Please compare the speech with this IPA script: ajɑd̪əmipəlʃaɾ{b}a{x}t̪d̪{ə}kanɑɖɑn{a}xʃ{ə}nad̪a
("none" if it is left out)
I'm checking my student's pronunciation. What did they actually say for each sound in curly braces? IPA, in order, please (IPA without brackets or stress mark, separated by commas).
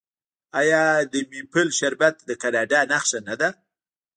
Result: b, none, ə, a, a